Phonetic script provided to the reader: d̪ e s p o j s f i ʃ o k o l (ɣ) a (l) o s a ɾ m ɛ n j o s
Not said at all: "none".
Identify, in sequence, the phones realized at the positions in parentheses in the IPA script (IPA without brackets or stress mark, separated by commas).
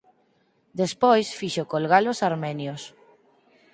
ɣ, l